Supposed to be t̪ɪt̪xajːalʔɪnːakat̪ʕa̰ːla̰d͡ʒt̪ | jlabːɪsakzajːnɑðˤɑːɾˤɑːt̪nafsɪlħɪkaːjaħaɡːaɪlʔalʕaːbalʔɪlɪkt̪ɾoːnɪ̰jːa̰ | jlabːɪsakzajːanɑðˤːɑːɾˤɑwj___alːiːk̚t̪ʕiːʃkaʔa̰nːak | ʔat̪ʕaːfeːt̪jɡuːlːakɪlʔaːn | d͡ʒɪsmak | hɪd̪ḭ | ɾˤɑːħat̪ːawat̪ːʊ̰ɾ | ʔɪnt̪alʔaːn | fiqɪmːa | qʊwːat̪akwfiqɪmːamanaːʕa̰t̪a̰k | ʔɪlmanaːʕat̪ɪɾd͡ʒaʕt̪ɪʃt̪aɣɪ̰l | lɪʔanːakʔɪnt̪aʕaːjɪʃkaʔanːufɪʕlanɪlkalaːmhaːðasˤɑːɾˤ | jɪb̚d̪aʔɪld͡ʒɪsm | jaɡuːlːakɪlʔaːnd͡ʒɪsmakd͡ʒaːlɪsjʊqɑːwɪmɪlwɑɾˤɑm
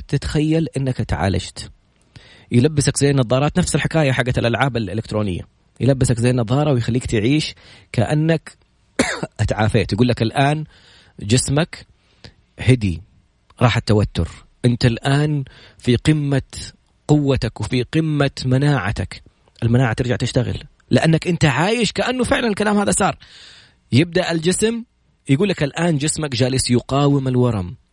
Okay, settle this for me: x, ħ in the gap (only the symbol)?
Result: x